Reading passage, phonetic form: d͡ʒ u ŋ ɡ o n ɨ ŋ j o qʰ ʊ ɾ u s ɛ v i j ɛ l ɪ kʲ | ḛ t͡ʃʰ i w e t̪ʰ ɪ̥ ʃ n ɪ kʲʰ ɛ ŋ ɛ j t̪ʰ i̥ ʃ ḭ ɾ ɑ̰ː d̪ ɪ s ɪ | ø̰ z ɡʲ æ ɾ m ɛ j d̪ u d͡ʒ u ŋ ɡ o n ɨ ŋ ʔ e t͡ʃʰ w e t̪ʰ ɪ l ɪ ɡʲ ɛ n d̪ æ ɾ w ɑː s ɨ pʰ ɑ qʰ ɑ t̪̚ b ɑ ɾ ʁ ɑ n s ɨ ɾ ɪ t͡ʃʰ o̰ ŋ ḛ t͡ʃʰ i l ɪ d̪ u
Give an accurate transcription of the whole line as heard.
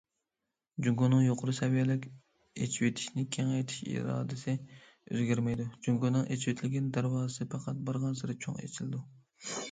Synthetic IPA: d͡ʒ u ŋ ɡ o n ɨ ŋ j o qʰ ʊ ɾ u s ɛ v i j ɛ l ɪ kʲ | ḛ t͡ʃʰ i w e t̪ʰ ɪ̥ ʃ n ɪ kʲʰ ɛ ŋ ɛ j t̪ʰ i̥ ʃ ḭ ɾ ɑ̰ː d̪ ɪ s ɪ | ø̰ z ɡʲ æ ɾ m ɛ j d̪ u d͡ʒ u ŋ ɡ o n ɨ ŋ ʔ e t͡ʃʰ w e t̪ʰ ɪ l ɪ ɡʲ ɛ n d̪ æ ɾ w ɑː s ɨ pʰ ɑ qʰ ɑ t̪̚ b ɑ ɾ ʁ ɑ n s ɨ ɾ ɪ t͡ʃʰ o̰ ŋ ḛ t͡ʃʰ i l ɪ d̪ u